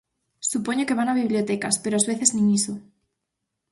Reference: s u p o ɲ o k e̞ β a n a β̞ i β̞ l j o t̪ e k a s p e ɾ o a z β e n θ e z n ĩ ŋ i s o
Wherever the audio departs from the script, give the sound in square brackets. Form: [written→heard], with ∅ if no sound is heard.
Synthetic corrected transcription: s u p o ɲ o k e̞ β a n a β̞ i β̞ l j o t̪ e k a s p e ɾ o a z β e [n→∅] θ e z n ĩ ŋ i s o